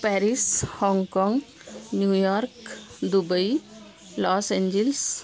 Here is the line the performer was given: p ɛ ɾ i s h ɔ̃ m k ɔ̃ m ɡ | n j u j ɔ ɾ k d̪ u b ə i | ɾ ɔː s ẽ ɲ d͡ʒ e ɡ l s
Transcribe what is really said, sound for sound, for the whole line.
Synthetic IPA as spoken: p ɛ ɾ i s h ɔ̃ ŋ k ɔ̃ ŋ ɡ | n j u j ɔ ɾ k d̪ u b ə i | l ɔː s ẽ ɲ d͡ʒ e l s